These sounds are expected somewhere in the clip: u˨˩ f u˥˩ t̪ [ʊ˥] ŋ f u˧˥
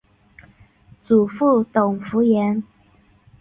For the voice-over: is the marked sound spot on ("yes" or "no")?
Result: no